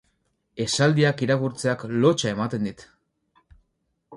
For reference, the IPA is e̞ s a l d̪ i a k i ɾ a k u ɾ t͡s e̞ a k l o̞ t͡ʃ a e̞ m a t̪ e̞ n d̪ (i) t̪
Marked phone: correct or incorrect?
correct